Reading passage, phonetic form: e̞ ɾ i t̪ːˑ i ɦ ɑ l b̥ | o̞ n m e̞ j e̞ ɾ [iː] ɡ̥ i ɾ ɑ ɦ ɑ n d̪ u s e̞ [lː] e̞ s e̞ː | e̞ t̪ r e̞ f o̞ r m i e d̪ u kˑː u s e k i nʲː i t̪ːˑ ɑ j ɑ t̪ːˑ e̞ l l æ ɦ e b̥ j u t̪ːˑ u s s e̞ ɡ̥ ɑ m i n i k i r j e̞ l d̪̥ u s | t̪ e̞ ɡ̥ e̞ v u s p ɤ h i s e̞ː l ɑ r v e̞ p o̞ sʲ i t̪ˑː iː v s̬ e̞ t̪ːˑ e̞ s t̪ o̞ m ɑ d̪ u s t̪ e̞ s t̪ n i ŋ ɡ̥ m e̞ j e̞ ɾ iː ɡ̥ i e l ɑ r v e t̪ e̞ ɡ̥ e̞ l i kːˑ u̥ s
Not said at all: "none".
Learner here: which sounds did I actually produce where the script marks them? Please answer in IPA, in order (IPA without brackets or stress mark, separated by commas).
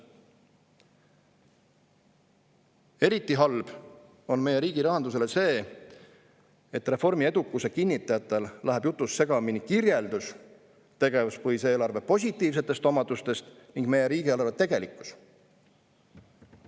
iː, l